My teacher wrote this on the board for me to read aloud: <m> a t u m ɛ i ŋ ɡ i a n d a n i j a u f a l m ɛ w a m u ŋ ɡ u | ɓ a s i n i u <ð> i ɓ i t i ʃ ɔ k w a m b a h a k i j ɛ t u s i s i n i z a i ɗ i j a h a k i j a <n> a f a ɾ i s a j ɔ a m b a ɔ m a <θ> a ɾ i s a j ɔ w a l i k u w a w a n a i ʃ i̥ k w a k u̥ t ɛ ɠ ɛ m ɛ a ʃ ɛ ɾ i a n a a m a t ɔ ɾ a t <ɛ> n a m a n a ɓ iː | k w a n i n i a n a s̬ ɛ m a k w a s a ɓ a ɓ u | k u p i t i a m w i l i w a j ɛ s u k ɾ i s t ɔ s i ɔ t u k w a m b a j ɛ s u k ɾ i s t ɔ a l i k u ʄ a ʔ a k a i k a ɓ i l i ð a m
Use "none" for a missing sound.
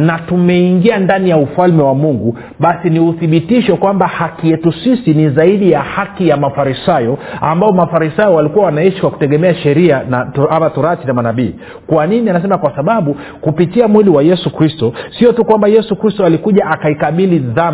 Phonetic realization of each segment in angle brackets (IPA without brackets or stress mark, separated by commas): n, θ, m, f, i